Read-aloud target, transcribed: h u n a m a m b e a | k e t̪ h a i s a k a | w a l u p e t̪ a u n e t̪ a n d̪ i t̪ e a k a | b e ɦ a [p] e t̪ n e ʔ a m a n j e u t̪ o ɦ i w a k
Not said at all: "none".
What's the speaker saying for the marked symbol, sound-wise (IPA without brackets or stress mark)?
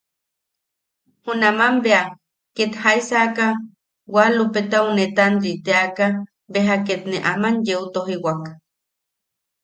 k